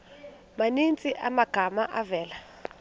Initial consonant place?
labial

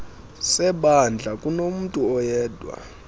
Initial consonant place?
alveolar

